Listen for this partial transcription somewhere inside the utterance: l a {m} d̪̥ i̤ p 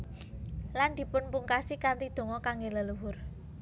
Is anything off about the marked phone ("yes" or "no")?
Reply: yes